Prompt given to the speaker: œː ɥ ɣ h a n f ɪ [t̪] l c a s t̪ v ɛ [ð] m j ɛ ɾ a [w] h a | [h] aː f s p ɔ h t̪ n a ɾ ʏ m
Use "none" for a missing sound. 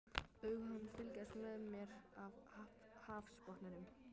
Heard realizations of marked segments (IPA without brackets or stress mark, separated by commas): none, ð, v, h